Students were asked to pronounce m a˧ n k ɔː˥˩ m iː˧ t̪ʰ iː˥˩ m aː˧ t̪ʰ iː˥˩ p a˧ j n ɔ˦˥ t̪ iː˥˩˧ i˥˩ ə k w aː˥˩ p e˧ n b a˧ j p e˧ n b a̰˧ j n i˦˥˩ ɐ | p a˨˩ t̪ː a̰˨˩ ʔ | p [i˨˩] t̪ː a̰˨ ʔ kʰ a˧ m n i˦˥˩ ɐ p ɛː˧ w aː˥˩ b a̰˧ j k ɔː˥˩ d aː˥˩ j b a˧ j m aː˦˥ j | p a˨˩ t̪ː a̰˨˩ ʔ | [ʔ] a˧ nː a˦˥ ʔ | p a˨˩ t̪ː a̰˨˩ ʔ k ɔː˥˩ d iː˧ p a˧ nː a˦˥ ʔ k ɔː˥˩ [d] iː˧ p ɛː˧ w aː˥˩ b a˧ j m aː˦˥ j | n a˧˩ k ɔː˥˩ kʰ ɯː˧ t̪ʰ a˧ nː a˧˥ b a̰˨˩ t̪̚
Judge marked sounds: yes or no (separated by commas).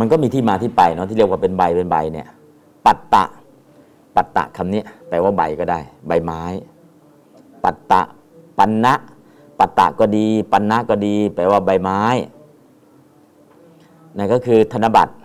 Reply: no, no, yes